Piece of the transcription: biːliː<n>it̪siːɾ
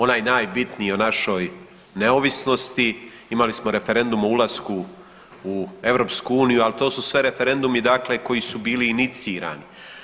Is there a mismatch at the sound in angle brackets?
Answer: no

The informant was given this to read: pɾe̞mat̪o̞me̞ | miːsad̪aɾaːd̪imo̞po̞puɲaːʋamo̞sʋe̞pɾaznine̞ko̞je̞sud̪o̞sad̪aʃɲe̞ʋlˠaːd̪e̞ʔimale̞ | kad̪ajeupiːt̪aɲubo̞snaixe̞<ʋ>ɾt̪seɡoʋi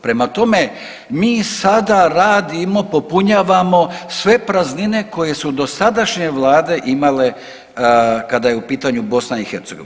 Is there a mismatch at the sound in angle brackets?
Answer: yes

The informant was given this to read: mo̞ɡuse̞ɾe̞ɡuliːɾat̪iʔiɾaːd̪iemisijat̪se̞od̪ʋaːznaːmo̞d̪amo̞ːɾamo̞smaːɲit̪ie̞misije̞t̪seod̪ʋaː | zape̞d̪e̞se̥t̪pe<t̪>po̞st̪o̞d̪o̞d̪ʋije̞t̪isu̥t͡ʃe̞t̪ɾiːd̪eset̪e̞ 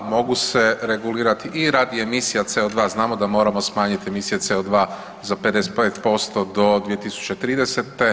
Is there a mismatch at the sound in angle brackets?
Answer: no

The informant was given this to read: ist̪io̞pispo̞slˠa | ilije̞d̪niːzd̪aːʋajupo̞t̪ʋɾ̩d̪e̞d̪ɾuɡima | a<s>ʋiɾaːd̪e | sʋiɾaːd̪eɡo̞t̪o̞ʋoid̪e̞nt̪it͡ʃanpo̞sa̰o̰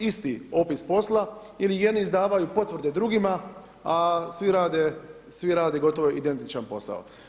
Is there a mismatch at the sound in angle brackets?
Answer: no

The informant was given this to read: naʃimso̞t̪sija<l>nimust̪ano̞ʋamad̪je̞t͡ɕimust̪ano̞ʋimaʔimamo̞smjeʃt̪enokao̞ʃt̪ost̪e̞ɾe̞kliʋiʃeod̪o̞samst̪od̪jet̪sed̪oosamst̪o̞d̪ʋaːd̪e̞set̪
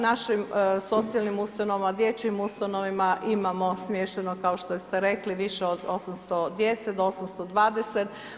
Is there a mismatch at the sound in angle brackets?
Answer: no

